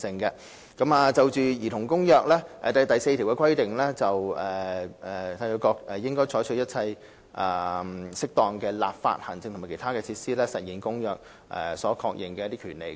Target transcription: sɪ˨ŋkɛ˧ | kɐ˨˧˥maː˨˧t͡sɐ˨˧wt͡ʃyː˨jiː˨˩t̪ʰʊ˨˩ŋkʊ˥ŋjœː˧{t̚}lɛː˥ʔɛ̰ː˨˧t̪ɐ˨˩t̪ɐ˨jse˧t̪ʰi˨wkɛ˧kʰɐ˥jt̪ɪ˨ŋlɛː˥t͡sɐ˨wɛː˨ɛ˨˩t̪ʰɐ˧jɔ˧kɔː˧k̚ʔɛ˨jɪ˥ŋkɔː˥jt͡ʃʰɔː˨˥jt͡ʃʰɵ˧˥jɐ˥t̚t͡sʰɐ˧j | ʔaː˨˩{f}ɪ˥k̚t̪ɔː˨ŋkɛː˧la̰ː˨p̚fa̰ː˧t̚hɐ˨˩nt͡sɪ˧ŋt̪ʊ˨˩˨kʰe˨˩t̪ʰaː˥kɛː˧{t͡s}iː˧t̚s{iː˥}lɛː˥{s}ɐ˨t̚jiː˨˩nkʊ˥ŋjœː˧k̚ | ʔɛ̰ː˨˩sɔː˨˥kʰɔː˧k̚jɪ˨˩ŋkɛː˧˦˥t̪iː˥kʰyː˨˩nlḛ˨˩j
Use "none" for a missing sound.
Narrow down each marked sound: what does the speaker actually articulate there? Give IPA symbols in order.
k̚, s, t͡sʰ, iː˥, s

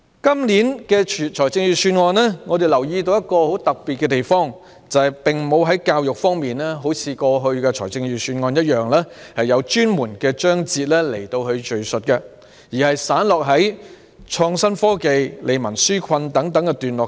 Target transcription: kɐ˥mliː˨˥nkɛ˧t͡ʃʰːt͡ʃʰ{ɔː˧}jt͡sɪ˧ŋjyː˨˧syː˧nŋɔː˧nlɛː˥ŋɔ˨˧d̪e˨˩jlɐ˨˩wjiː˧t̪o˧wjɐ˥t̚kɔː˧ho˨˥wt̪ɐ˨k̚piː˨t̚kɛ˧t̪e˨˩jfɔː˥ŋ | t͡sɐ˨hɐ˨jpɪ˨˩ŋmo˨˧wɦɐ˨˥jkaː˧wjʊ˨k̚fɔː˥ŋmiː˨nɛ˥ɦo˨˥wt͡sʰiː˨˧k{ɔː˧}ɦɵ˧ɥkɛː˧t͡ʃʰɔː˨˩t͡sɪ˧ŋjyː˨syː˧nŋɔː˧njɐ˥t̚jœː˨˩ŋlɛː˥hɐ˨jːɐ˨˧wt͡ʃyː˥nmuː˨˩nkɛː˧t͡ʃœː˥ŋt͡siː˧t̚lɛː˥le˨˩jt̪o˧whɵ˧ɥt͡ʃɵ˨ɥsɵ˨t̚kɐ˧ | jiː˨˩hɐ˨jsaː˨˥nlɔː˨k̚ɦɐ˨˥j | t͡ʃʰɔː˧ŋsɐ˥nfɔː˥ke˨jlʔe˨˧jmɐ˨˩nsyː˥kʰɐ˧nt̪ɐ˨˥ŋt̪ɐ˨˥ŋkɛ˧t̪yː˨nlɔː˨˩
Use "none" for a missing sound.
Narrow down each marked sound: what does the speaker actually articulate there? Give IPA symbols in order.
ɔː˨˩, ɔː˧

